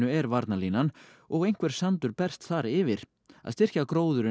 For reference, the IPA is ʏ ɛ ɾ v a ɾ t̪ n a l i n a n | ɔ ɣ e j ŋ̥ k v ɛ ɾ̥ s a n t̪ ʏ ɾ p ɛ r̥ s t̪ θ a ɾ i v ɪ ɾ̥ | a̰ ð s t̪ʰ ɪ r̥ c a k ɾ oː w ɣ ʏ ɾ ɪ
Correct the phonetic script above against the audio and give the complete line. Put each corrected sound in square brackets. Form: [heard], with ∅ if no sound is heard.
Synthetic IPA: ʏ ɛ ɾ v a ɾ t̪ n a l i n a n | ɔ ɣ e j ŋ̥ k v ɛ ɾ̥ s a n t̪ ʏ ɾ p ɛ r̥ s t̪ θ a ɾ [ɪ] v ɪ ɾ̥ | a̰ ð s [t̪] ɪ r̥ c a k ɾ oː w [ð] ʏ ɾ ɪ